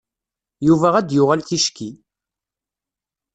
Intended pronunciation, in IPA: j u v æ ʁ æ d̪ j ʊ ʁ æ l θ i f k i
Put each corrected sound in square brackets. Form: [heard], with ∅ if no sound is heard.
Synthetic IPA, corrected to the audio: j u v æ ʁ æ d̪ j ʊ ʁ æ l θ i [ʃ] k i